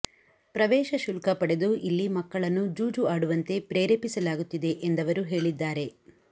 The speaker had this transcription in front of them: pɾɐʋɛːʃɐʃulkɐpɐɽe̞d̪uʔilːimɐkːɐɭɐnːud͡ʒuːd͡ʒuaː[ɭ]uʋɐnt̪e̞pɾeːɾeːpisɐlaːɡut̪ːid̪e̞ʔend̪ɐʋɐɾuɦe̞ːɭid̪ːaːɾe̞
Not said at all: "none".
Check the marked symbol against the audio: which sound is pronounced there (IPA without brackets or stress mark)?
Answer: ɽ